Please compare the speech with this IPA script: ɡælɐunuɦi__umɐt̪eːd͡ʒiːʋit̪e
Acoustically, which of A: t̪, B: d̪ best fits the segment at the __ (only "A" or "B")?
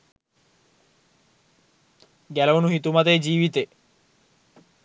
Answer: A